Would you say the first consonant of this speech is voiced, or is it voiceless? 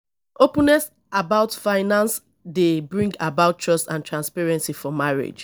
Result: voiceless